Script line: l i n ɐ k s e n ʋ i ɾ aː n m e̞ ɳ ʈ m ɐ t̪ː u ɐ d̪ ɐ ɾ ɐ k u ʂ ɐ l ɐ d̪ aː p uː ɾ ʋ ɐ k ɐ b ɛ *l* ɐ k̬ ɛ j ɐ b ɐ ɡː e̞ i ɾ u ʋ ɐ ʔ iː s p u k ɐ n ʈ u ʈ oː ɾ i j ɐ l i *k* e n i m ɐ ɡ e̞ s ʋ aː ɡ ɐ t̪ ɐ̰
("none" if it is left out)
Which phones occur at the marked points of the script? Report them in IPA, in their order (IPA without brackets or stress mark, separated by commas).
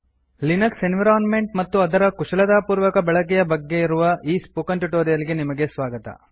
ɭ, ɡ